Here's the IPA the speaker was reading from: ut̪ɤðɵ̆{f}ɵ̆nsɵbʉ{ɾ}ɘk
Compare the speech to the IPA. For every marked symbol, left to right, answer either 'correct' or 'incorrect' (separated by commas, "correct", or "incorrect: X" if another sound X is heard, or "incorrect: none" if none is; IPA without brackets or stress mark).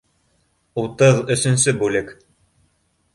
incorrect: s, incorrect: l